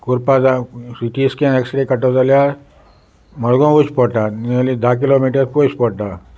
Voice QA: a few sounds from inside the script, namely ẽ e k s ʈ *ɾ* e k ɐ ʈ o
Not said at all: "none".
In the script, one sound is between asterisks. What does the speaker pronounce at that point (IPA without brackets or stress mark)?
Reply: ɾ